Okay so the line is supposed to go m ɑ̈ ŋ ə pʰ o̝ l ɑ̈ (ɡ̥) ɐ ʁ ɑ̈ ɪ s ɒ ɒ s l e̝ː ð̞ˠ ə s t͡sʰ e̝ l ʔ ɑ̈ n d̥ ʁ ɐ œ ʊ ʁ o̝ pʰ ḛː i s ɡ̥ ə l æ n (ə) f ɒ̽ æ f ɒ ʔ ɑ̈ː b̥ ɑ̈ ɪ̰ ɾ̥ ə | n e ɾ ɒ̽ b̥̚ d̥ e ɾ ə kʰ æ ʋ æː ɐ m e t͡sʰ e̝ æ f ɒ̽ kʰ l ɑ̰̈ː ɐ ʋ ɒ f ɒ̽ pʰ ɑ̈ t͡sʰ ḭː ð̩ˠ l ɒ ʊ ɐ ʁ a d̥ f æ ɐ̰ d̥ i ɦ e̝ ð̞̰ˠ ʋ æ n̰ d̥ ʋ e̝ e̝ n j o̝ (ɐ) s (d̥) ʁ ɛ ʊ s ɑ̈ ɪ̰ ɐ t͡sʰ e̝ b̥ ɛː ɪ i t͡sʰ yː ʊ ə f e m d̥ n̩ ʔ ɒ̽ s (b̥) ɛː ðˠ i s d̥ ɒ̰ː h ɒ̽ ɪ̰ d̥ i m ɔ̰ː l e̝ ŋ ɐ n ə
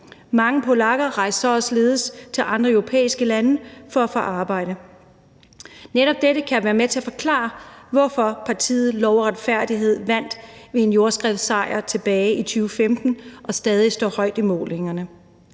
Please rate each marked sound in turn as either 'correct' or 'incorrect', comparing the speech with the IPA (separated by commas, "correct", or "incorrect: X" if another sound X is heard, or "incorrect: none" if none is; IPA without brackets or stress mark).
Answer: correct, correct, correct, incorrect: ɡ̥, incorrect: d̥